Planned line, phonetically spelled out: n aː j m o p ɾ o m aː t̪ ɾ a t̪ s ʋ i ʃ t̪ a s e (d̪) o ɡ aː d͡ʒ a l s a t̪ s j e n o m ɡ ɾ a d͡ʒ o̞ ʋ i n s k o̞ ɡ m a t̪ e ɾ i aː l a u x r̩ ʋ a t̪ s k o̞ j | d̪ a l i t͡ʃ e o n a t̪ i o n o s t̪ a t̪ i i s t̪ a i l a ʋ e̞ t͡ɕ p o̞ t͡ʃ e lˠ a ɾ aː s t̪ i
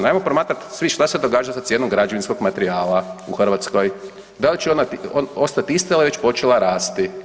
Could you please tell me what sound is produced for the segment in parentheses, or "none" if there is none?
d̪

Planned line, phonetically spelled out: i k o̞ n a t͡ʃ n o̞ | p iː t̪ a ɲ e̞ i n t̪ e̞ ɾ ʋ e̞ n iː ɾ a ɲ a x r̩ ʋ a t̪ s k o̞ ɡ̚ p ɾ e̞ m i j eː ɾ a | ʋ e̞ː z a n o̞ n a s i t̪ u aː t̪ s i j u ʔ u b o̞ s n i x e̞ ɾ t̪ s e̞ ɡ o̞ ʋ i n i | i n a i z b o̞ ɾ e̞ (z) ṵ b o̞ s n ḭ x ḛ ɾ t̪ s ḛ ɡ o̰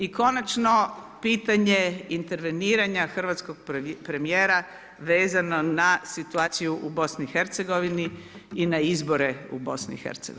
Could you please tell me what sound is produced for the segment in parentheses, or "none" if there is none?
none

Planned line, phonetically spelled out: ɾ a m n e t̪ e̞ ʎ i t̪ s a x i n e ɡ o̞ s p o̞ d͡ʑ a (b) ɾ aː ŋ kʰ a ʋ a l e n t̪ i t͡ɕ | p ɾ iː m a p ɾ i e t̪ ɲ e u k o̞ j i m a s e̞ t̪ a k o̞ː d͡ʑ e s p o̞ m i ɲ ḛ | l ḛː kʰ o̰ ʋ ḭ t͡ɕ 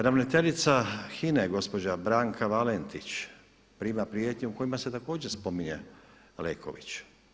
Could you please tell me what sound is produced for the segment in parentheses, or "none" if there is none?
b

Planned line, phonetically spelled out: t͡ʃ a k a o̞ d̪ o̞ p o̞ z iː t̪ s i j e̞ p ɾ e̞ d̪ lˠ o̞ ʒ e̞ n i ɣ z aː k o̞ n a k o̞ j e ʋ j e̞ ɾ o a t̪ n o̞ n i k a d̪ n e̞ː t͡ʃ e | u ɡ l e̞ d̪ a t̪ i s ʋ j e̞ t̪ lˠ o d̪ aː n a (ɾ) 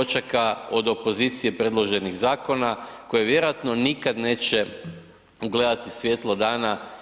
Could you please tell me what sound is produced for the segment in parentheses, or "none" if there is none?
none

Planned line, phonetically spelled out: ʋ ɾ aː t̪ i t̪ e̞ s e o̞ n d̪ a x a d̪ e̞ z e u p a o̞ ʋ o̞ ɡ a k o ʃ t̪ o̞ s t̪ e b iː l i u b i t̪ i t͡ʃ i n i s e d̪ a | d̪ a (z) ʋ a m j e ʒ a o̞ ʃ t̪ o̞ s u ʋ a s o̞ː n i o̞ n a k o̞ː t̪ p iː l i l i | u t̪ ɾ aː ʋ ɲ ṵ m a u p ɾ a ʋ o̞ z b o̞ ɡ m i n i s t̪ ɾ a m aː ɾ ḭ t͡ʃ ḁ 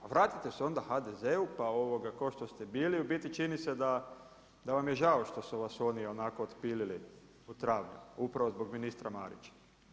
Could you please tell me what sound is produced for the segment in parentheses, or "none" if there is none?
none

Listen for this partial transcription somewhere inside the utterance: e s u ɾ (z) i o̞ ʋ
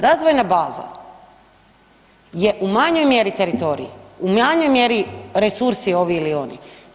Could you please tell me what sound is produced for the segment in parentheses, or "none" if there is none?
s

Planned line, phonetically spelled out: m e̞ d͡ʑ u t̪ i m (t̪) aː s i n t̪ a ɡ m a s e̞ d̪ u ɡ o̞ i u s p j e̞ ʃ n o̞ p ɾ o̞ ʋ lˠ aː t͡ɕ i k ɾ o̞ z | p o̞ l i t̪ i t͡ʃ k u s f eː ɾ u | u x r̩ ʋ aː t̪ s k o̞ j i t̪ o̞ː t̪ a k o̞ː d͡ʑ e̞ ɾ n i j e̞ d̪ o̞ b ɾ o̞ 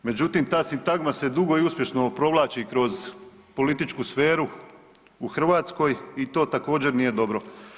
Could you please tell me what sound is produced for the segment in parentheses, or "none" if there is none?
t̪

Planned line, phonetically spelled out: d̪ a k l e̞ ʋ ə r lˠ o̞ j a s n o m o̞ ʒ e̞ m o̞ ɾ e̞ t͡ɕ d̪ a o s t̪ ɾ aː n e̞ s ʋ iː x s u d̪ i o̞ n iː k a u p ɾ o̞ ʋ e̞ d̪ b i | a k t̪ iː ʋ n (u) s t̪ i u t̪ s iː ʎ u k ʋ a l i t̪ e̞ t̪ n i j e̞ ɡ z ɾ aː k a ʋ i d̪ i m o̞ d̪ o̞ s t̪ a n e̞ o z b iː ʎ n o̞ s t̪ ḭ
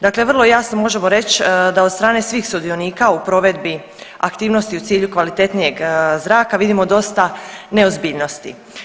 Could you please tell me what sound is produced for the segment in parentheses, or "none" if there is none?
o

